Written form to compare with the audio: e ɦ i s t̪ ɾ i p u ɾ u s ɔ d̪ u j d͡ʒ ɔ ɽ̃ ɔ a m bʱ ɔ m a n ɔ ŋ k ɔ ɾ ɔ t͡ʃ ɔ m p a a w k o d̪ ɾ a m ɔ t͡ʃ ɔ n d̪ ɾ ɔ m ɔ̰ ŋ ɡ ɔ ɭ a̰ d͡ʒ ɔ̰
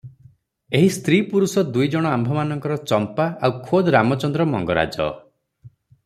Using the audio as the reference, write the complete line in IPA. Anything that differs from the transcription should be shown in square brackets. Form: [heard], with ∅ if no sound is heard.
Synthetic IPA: e ɦ i s t̪ ɾ i p u ɾ u s ɔ d̪ u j d͡ʒ ɔ ɽ̃ ɔ a m bʱ ɔ m a n ɔ ŋ k ɔ ɾ ɔ t͡ʃ ɔ m p a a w [kʰ] o d̪ ɾ a m ɔ t͡ʃ ɔ n d̪ ɾ ɔ m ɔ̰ ŋ ɡ ɔ [ɾ] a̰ d͡ʒ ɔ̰